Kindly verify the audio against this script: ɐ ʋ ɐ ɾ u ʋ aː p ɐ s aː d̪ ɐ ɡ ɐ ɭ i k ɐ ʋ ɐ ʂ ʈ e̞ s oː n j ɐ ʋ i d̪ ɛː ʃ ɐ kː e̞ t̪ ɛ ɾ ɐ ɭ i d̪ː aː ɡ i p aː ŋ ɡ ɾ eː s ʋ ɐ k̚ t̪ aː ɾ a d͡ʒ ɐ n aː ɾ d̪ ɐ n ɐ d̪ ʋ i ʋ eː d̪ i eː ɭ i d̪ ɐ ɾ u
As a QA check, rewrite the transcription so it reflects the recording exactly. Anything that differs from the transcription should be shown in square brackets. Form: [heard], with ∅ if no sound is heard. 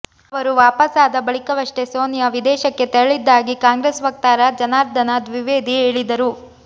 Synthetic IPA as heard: ɐ ʋ ɐ ɾ u ʋ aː p ɐ s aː d̪ ɐ [b] ɐ ɭ i k ɐ ʋ ɐ ʂ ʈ e̞ s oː n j ɐ ʋ i d̪ ɛː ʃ ɐ kː e̞ t̪ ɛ ɾ ɐ ɭ i d̪ː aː ɡ i [k] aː ŋ ɡ ɾ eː s ʋ ɐ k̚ t̪ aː ɾ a d͡ʒ ɐ n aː ɾ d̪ ɐ n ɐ d̪ ʋ i ʋ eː d̪ i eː ɭ i d̪ ɐ ɾ u